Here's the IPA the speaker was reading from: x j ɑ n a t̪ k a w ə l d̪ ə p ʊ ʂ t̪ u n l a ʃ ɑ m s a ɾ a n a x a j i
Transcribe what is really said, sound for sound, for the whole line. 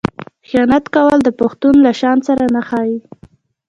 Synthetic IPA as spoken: x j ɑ n a t̪ k a w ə l d̪ ə p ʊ x t̪ u n l a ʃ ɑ n s a ɾ a n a x ɑ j i